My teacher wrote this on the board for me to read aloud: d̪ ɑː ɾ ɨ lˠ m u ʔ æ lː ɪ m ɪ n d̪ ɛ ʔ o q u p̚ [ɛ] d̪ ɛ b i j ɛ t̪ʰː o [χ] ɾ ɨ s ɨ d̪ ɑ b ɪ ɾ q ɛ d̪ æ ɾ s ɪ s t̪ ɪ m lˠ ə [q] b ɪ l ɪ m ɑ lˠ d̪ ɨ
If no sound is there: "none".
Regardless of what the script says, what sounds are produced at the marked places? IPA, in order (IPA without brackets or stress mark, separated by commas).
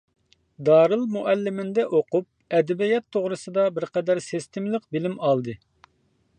ɛ, ʁ, q